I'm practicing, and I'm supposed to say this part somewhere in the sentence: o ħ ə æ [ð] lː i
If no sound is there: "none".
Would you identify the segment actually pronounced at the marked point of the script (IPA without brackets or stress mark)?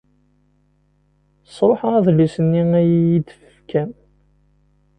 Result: ð